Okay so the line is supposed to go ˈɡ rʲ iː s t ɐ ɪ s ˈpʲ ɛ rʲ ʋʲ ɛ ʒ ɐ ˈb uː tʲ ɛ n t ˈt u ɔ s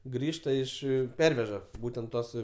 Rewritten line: ˈɡ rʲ iː ʃ t ɐ ɪ ʃ ˈpʲ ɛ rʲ ʋʲ ɛ ʒ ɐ ˈb uː tʲ ɛ n t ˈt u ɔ s